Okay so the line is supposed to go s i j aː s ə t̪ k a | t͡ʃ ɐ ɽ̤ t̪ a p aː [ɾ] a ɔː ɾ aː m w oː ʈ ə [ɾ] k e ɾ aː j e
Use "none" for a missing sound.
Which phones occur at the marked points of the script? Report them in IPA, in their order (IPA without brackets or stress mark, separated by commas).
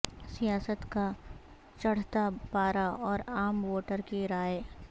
ɾ, ɾ